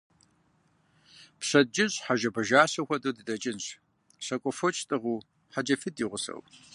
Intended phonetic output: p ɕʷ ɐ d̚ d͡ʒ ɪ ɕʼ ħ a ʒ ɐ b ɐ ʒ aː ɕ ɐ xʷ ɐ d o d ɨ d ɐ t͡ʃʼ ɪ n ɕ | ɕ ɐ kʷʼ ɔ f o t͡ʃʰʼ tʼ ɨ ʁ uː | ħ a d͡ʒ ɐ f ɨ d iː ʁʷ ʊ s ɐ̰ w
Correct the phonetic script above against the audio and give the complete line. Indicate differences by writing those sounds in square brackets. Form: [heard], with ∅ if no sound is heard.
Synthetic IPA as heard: p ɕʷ ɐ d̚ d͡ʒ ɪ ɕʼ ħ a ʒ ɐ b ɐ ʒ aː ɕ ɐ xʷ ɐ d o d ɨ d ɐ t͡ʃʼ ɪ n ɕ | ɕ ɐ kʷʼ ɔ f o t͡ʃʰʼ tʼ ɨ ʁ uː | ħ a d͡ʒ ɐ f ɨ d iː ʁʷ ʊ s ɐ̰ w